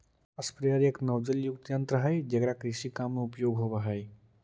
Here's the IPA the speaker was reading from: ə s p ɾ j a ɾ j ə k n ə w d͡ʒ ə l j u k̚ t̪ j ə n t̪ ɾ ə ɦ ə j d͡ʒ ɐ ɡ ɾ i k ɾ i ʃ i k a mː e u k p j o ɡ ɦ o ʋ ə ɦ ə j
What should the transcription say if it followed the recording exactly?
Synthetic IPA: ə s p ɾ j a ɾ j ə k n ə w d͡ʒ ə l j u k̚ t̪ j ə n t̪ ɾ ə ɦ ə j d͡ʒ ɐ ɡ ɾ a k ɾ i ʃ i k a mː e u p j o ɡ ɦ o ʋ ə ɦ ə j